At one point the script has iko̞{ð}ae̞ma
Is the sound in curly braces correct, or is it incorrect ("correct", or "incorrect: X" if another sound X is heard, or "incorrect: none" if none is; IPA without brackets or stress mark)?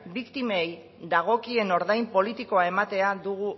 incorrect: none